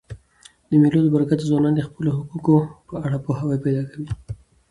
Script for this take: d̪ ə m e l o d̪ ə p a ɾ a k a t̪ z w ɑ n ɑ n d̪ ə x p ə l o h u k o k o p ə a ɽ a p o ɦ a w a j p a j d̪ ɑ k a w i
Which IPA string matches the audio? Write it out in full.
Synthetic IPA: d̪ ə m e l o d̪ ə b a ɾ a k a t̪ z w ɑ n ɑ n d̪ ə x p ə l o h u k u k o p ə a ɽ a p o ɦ a w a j p a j d̪ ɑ k a w i